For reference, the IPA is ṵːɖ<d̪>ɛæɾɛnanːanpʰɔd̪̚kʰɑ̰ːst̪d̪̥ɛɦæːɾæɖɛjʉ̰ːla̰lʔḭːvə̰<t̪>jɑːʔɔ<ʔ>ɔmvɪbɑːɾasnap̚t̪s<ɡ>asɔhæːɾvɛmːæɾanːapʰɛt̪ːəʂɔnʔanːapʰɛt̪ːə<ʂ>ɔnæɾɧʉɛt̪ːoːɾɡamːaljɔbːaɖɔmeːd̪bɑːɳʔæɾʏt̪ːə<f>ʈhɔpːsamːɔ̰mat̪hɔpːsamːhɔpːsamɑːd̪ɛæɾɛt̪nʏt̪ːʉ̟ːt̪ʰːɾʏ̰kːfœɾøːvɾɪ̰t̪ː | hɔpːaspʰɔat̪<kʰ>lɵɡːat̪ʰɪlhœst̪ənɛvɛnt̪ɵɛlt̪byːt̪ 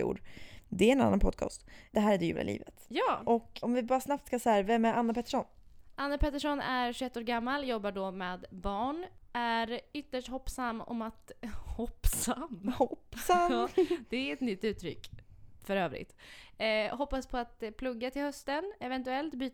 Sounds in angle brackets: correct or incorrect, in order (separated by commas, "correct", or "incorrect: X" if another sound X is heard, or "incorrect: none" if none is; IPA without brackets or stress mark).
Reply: correct, correct, incorrect: k, incorrect: k, correct, incorrect: ʂ, incorrect: pʰ